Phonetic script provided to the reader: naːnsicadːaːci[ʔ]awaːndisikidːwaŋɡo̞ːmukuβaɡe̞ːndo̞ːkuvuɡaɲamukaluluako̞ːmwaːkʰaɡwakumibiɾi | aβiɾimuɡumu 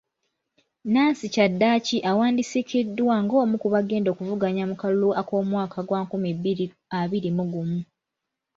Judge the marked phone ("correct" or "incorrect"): correct